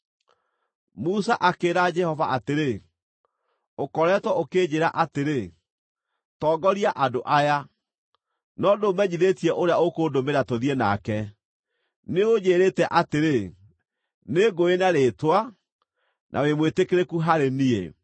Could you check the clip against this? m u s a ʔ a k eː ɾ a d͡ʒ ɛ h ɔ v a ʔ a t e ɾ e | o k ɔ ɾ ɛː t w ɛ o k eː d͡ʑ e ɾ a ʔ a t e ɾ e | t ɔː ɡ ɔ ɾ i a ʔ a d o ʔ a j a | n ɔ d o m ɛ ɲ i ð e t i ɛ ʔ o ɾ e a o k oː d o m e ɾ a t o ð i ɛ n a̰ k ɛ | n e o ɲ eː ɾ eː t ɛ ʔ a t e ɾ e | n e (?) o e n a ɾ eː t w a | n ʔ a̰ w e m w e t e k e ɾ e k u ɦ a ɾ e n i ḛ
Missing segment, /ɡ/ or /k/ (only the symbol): ɡ